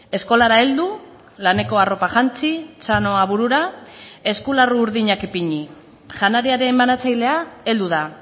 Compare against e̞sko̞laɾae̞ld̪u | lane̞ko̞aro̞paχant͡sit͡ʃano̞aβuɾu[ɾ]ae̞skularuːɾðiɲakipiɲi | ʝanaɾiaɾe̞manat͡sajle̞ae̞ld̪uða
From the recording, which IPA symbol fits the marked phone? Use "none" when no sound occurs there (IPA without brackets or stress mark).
ɾ